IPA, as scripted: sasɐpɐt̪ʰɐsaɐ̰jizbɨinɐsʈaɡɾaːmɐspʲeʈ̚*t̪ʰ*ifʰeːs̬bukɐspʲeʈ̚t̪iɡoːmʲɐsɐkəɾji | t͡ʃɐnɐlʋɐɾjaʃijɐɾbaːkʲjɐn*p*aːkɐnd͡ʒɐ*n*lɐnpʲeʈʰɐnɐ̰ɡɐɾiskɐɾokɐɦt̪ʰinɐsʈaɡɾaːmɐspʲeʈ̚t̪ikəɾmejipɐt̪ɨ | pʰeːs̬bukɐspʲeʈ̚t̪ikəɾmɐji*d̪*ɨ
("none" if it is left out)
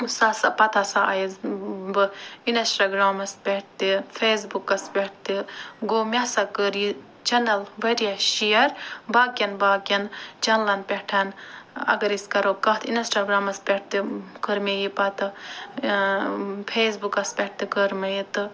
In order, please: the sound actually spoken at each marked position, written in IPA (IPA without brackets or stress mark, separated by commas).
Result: t̪, b, n, t̪